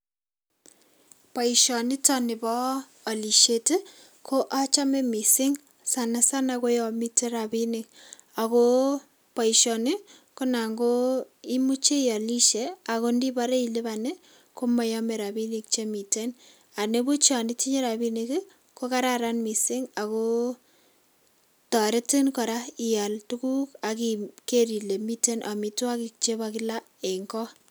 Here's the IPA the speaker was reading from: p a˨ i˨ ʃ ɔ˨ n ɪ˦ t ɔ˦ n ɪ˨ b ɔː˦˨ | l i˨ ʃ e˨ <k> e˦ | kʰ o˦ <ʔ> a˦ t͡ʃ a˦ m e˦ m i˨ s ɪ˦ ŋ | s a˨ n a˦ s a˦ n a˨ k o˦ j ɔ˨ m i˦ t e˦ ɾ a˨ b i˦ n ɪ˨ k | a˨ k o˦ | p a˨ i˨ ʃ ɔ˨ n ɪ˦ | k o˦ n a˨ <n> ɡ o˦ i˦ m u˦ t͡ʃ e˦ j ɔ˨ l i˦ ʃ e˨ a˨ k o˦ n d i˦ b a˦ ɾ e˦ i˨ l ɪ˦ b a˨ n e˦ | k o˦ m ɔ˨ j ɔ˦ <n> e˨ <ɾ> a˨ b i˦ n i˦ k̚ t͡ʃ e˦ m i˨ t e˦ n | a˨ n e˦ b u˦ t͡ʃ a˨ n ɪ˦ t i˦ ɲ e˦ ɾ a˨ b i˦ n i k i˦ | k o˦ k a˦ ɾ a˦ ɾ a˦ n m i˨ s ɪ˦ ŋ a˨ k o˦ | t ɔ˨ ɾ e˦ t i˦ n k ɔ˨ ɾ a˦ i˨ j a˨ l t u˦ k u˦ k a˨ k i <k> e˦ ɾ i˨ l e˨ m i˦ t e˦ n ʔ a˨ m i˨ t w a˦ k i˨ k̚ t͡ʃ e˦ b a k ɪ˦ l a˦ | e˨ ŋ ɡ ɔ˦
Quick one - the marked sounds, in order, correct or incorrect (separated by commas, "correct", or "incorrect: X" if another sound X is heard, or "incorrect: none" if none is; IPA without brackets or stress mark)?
incorrect: t, correct, incorrect: ŋ, incorrect: m, correct, correct